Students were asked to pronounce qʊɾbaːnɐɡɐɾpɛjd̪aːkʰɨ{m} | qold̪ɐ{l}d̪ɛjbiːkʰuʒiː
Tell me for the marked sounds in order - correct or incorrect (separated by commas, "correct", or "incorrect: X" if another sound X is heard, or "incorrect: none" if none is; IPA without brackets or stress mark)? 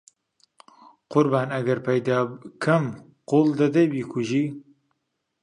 correct, incorrect: none